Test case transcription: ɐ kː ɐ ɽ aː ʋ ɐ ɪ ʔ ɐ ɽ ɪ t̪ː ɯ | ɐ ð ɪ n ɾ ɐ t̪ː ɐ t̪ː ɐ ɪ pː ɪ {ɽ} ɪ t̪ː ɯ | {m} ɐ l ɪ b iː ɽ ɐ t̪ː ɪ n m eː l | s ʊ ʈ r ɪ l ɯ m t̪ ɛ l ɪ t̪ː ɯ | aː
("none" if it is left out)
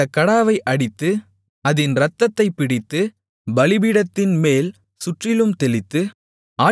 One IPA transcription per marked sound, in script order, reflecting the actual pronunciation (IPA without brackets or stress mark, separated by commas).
ɽ, b